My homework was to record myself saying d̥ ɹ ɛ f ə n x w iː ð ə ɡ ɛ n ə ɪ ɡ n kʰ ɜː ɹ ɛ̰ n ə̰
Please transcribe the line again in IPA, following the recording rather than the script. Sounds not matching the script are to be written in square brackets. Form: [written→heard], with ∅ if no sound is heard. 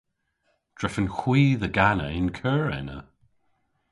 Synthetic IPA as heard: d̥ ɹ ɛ f ə n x w iː ð ə ɡ [ɛ→a] n ə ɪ [ɡ→∅] n kʰ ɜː ɹ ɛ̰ n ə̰

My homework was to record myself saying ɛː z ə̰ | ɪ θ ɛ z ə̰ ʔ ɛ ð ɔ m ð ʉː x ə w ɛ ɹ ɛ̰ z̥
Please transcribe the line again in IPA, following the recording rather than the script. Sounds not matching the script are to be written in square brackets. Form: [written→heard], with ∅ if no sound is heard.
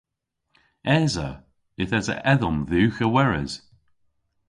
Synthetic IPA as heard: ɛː z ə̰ | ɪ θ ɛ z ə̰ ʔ ɛ ð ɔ m ð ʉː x ə w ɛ ɹ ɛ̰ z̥

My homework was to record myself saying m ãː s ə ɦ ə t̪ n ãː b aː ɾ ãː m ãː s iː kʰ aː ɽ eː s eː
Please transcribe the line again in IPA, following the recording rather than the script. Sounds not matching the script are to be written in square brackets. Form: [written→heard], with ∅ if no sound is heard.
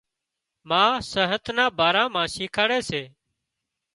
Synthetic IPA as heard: m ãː s ə ɦ ə t̪ n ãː b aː ɾ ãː m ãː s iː kʰ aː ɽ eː s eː

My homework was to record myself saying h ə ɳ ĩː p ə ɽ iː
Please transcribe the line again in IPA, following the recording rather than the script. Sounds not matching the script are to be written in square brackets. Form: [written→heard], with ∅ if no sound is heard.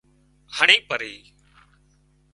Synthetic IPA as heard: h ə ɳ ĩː p ə [ɽ→ɾ] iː

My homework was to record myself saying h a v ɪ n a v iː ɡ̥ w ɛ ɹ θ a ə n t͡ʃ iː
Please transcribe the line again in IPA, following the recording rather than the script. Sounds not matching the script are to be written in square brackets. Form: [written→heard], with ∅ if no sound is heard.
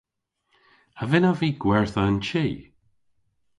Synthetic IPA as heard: h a v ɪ n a v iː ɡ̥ w ɛ ɹ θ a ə n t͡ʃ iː

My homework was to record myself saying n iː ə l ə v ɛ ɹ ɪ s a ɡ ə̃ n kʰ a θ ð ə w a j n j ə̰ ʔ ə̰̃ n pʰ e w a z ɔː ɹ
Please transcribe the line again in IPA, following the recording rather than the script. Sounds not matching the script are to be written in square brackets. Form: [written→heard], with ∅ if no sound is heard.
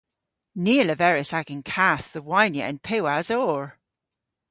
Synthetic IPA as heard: n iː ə l ə v ɛ ɹ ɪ s a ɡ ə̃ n kʰ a θ ð ə w a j n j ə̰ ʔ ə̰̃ n pʰ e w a z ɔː ɹ

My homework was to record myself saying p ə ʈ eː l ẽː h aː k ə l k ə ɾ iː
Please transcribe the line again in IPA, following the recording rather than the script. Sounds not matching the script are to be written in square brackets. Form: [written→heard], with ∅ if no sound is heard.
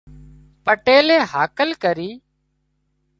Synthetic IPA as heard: p ə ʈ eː l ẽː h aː k ə l k ə ɾ iː

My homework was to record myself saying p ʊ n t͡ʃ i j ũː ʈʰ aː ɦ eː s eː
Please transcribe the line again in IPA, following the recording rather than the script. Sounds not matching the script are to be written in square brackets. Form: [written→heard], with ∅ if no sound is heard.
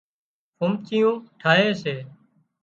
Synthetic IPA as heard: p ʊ [n→m] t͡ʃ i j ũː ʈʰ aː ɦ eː s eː

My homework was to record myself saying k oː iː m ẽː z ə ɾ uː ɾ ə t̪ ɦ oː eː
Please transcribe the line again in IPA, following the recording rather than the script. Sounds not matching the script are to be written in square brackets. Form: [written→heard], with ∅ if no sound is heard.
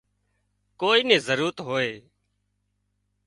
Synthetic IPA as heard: k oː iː [m→n] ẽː z ə ɾ uː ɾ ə t̪ ɦ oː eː

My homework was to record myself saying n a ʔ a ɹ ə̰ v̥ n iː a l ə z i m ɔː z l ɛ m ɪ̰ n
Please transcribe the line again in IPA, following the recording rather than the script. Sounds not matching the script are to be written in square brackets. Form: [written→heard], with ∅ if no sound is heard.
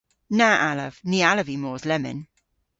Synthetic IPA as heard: n a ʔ a [ɹ→l] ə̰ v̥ n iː a l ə [z→v] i m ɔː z l ɛ m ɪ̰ n

